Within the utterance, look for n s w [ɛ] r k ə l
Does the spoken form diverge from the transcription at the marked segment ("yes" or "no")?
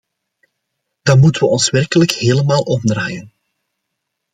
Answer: no